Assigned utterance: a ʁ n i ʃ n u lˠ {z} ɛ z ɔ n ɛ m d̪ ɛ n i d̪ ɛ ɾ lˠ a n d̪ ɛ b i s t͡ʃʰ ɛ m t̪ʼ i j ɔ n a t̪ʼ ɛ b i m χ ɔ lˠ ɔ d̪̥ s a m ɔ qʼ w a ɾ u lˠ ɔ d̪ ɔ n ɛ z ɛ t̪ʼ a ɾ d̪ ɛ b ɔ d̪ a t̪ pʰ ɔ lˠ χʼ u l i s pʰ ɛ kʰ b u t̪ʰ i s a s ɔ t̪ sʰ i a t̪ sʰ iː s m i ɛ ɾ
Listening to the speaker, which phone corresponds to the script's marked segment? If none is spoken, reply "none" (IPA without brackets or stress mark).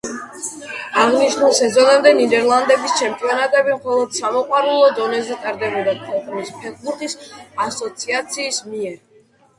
s